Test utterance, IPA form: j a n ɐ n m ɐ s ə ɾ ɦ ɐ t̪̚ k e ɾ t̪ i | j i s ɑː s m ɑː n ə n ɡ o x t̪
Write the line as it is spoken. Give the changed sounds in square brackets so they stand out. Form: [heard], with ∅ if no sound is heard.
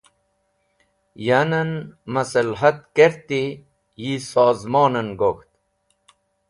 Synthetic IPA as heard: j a n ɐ n m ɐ s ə [l] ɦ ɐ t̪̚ k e ɾ t̪ i | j i s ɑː [z] m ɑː n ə n ɡ o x t̪